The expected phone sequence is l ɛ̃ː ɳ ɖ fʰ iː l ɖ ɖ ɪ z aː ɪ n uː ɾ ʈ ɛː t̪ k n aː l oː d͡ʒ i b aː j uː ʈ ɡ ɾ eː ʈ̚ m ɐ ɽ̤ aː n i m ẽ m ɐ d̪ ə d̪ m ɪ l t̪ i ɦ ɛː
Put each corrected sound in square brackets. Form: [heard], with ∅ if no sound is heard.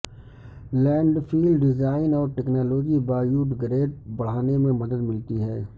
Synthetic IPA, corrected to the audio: l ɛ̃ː ɳ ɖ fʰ iː l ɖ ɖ ɪ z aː ɪ n [ɔː] ɾ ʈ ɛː [∅] k n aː l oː d͡ʒ i b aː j uː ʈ ɡ ɾ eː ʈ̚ [b] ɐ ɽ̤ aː n [e] m ẽ m ɐ d̪ ə d̪ m ɪ l t̪ i ɦ ɛː